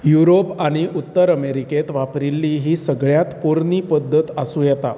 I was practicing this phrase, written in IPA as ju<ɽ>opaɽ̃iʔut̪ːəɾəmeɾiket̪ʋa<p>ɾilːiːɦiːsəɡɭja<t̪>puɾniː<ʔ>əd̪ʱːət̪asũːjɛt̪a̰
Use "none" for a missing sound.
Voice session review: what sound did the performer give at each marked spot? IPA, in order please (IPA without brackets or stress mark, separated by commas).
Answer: ɾ, p, t̪, p